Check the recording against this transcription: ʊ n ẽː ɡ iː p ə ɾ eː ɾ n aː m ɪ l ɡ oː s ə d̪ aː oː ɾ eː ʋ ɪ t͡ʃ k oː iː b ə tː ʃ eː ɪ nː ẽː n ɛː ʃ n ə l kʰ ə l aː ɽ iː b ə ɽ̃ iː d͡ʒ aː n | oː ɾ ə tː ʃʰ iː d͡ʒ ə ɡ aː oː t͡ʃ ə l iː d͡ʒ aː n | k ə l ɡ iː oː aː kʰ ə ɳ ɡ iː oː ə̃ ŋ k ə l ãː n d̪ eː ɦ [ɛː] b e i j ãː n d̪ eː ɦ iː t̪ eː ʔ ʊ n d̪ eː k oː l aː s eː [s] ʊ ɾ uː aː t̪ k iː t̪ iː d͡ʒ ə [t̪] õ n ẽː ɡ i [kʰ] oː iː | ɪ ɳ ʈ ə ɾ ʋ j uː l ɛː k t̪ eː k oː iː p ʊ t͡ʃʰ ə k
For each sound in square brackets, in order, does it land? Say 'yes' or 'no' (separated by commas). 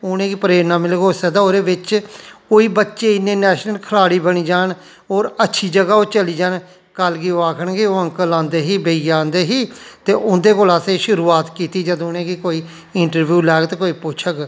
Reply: no, no, no, no